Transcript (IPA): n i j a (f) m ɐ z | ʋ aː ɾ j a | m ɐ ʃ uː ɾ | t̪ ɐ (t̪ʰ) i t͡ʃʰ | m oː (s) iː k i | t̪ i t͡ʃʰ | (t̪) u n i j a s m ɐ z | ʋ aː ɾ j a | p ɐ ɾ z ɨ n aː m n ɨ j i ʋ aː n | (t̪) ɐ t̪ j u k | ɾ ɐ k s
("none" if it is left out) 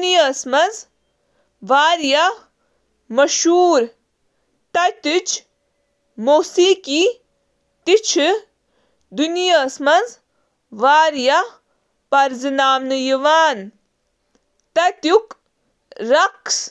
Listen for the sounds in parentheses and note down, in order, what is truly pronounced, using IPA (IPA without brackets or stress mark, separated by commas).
s, t̪, s, d̪, t̪